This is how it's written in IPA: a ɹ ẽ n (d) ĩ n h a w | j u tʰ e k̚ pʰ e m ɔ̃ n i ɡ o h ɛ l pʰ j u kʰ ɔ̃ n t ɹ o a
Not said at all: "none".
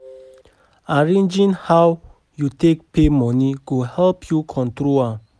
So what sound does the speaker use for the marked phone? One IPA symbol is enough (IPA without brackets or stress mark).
d͡ʒ